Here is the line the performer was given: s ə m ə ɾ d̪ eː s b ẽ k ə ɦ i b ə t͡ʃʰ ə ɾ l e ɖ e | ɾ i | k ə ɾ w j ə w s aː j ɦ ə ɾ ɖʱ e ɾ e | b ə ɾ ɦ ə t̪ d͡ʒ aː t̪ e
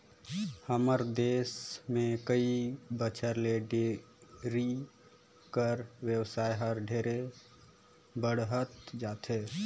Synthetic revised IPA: h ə m ə ɾ d̪ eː s m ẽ k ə i b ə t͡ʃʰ ə ɾ l e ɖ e | ɾ i | k ə ɾ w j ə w s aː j ɦ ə ɾ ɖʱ e ɾ e | b ə ɽ ɦ ə t̪ d͡ʒ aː t̪ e